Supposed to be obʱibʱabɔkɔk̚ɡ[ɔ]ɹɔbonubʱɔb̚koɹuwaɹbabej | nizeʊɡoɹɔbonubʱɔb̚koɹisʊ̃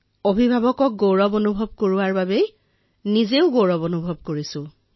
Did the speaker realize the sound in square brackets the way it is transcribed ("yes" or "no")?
no